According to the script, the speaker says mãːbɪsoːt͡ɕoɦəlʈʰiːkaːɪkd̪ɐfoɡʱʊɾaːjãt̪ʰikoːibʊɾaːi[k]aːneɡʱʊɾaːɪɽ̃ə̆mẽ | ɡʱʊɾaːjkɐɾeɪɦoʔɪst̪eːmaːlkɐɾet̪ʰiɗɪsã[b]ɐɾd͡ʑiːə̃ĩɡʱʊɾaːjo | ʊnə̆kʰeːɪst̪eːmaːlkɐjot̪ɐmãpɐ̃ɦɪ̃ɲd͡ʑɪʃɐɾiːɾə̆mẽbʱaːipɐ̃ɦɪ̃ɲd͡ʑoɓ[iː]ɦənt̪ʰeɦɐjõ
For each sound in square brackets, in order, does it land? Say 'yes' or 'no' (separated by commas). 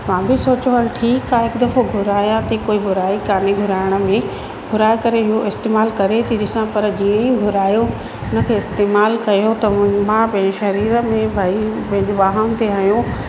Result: yes, no, no